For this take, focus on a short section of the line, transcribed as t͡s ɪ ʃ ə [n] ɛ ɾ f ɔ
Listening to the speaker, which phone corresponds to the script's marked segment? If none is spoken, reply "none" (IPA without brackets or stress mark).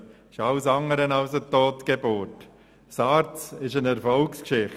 n